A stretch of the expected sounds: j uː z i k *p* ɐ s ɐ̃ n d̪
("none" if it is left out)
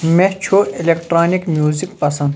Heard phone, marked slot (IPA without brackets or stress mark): p